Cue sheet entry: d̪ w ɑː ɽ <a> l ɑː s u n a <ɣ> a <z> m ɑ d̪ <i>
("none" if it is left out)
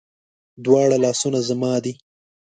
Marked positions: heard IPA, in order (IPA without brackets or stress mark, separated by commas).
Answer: a, z, none, i